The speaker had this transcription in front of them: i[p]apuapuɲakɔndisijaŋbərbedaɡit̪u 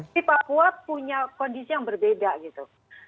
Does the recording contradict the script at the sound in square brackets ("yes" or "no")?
no